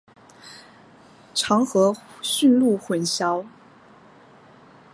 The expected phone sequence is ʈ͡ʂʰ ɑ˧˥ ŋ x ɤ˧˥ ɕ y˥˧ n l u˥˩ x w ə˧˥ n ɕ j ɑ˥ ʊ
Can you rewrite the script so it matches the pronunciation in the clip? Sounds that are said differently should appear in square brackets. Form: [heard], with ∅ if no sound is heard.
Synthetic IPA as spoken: ʈ͡ʂʰ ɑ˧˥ ŋ x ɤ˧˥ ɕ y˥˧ n l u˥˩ x w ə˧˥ n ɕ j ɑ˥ ʊ